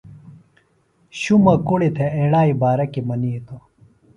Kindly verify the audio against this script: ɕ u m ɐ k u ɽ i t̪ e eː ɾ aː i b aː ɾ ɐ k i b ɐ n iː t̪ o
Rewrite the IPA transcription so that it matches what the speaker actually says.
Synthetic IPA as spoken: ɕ u m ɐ k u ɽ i t̪ʰ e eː ɽ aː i b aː ɾ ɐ k i m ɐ n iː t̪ o